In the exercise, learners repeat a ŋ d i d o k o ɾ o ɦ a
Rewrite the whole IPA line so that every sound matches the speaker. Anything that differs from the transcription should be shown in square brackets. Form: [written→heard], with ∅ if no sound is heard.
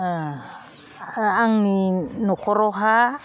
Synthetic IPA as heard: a ŋ [d→n] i [d→n] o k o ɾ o ɦ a